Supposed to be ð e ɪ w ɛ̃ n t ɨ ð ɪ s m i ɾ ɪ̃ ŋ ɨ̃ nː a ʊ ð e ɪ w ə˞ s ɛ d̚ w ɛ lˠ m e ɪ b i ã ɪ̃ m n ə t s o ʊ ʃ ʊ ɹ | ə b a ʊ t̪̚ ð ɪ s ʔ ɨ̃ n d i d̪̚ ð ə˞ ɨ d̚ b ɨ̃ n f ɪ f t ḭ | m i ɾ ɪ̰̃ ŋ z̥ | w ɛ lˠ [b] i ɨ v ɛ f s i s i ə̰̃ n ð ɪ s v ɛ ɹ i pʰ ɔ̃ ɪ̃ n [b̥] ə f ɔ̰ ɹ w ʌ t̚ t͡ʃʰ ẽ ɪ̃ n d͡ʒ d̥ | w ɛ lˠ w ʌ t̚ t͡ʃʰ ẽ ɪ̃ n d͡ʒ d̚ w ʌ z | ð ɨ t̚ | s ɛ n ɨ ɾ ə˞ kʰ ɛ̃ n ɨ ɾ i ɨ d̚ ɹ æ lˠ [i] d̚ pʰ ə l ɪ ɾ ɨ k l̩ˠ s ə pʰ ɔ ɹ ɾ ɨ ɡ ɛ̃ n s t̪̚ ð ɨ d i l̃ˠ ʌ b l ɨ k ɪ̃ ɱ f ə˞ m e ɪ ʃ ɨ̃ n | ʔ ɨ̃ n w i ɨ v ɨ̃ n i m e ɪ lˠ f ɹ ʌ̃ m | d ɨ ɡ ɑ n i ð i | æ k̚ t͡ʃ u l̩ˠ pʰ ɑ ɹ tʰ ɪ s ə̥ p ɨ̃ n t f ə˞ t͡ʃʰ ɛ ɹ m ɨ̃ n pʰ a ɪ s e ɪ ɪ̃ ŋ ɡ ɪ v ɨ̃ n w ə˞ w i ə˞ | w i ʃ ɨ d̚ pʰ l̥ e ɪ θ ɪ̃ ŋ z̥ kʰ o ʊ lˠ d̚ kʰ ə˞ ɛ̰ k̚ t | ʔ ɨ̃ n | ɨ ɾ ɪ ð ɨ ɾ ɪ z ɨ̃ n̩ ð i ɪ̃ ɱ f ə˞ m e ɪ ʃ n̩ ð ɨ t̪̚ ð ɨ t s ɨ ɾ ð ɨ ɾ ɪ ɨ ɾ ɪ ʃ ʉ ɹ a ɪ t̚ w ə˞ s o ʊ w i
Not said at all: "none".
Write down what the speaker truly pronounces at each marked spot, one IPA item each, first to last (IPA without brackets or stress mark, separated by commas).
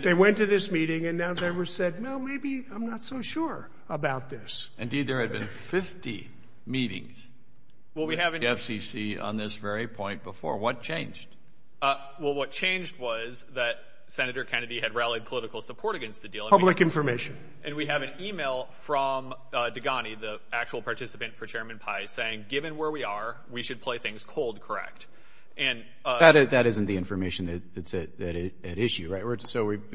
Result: w, b̥, i